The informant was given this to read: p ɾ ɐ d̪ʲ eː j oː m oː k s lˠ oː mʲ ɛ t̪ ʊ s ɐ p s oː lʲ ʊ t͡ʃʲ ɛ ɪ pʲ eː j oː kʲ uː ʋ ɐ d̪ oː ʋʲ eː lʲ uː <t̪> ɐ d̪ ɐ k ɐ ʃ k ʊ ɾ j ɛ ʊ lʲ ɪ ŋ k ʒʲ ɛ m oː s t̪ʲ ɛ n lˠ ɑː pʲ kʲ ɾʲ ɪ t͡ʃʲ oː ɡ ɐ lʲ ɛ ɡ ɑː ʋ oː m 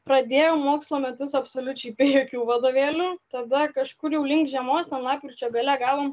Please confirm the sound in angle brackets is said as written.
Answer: yes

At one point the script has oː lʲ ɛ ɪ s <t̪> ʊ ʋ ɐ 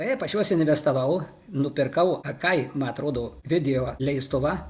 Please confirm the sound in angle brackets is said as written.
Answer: yes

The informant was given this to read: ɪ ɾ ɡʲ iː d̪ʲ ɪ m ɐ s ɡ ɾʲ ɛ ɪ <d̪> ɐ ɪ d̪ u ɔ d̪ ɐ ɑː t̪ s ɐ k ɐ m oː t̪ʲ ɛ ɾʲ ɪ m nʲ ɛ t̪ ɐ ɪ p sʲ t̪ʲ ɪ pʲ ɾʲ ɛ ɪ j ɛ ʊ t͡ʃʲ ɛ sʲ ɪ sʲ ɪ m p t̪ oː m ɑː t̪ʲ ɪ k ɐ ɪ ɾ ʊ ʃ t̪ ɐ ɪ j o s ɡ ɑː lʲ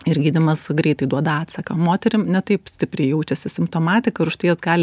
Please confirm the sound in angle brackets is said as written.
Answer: no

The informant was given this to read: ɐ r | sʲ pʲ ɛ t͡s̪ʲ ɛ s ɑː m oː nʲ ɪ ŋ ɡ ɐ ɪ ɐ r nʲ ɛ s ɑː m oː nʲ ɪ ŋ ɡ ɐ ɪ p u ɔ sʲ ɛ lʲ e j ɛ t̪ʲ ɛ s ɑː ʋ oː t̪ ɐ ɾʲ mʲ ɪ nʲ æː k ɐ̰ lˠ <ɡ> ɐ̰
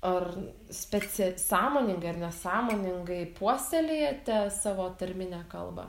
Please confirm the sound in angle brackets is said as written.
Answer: no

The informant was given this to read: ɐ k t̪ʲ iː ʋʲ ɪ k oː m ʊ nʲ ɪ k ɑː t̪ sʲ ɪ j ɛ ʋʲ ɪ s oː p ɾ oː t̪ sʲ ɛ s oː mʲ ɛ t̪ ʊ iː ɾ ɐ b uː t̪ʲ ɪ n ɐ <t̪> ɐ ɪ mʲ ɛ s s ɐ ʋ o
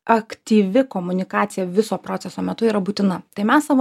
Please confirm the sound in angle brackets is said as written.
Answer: yes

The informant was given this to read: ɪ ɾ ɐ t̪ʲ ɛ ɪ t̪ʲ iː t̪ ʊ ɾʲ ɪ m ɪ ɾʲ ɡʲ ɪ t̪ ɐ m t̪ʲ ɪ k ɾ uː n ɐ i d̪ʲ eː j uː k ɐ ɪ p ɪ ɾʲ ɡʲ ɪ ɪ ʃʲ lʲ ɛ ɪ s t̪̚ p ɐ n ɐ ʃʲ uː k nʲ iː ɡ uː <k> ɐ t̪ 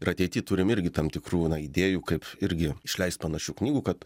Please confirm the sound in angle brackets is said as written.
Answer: yes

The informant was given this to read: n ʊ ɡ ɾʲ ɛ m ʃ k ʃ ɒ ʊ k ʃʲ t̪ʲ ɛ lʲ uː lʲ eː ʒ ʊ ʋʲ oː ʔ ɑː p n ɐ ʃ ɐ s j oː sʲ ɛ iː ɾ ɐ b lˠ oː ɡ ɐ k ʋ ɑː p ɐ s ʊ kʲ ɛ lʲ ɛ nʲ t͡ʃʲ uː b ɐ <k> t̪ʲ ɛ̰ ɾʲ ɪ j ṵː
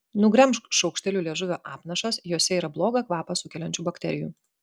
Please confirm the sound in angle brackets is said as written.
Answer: yes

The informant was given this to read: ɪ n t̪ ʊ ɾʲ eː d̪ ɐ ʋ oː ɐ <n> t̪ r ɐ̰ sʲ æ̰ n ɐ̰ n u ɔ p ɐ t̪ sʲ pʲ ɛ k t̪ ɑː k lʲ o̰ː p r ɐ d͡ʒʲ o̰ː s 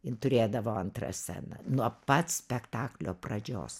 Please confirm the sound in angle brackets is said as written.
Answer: yes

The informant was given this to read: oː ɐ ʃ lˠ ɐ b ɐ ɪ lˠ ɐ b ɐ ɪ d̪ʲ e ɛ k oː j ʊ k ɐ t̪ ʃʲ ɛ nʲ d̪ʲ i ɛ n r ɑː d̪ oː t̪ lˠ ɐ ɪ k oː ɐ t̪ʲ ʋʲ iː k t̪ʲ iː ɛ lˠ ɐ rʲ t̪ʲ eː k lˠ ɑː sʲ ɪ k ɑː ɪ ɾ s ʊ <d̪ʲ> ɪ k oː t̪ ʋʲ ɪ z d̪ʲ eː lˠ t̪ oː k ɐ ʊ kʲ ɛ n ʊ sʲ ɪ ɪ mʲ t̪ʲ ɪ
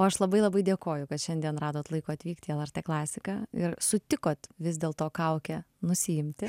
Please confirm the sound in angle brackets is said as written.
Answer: no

